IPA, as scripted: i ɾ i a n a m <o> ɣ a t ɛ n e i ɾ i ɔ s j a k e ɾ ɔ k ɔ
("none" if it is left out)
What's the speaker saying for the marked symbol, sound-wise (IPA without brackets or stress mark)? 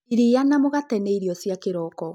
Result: o